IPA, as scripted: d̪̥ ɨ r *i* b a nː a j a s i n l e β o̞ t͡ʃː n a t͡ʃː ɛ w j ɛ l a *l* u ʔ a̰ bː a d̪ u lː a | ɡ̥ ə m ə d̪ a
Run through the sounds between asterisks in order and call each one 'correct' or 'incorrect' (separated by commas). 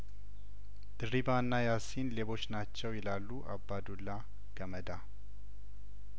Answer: correct, incorrect